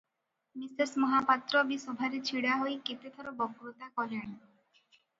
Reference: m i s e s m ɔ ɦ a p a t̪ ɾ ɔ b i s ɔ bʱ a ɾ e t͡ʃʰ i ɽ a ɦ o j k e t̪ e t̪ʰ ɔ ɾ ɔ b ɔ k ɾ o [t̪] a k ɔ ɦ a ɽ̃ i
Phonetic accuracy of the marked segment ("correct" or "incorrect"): correct